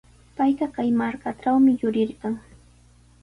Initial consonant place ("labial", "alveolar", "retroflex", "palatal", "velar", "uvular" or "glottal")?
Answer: labial